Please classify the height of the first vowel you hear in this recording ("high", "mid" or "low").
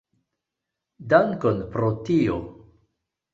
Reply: low